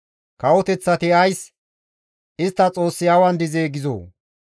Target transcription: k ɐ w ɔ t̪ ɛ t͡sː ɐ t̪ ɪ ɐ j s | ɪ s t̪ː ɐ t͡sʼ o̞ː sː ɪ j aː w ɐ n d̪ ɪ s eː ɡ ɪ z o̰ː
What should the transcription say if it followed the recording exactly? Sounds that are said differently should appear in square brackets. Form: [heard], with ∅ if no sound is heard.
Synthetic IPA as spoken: k ɐ w ɔ t̪ ɛ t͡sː ɐ t̪ ɪ ɐ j s | ɪ s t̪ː ɐ t͡sʼ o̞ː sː ɪ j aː w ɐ n d̪ ɪ [z] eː ɡ ɪ z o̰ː